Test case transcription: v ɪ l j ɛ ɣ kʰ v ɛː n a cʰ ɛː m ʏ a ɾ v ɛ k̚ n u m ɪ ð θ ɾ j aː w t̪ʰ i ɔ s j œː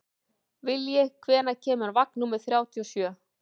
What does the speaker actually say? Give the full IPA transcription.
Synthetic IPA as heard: v ɪ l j ɛ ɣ kʰ v ɛː n a cʰ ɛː m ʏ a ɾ v a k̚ n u m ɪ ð θ ɾ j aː w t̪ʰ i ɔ s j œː

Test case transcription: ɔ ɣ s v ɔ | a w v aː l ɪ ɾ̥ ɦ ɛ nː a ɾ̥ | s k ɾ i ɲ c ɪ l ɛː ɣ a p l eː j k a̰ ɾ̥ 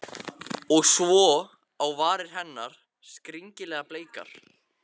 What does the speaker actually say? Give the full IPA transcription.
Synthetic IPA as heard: ɔ ɣ s v ɔ | a w v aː ɾ ɪ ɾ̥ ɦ ɛ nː a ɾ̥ | s k ɾ i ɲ c ɪ l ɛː ɣ a p l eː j k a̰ ɾ̥

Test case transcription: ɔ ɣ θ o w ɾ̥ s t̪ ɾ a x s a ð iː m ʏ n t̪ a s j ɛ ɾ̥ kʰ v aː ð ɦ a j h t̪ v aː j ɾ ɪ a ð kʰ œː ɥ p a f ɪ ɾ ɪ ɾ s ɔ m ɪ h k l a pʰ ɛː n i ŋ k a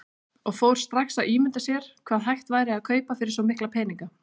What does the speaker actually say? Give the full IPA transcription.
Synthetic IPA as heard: ɔ ɣ f o w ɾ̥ s t̪ ɾ a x s a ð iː m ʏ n t̪ a s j ɛ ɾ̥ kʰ v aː ð ɦ a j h t̪ v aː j ɾ ɪ a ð kʰ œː ɥ p a f ɪ ɾ ɪ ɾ s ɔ m ɪ h k l a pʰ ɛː n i ŋ k a

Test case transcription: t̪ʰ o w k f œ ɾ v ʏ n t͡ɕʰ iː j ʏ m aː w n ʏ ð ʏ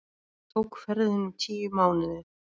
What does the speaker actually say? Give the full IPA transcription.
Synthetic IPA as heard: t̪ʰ o w k f ɛ ɾ ð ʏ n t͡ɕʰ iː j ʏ m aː w n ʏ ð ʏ

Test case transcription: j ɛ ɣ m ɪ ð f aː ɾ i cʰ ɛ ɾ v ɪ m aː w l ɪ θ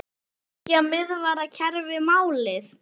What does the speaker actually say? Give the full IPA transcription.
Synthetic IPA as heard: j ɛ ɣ m ɪ ð v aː ɾ a cʰ ɛ ɾ v ɪ m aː w l ɪ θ

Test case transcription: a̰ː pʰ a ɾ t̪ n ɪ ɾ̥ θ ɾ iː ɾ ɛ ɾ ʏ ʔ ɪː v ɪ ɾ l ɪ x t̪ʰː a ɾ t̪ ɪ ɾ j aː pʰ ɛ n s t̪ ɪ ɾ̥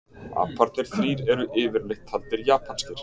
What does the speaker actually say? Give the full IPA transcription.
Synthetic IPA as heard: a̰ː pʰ a ɾ t̪ n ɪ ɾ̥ θ ɾ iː ɾ ɛ ɾ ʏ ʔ ɪː v ɪ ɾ l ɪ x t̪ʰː a l t̪ ɪ ɾ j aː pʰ a n s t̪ ɪ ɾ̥

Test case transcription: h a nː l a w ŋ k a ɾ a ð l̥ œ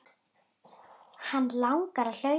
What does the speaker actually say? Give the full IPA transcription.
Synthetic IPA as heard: h a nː l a w ŋ k a ɾ a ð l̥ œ

